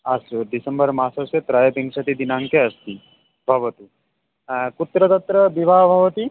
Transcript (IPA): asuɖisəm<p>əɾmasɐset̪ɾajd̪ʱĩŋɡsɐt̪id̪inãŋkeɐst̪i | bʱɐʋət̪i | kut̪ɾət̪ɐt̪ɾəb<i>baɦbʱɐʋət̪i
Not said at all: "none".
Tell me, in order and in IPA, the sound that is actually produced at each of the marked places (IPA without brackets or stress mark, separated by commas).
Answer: b, i